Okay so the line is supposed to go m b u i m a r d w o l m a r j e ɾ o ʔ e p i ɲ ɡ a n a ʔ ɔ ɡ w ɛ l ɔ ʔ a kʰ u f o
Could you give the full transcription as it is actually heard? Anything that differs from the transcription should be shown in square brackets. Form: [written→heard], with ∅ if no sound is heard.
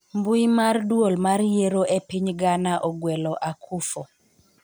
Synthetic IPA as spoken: m b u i m a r d w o l m a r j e ɾ o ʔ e p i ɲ ɡ a n a ʔ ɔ ɡ w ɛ l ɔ ʔ a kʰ u f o